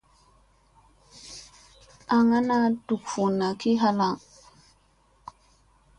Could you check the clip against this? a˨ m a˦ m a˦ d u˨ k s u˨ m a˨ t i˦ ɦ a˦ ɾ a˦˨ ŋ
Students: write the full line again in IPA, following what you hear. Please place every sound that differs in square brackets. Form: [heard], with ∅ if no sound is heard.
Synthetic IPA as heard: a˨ [ŋ] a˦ [n] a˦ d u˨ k [f] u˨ [n] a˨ [k] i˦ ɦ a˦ [l] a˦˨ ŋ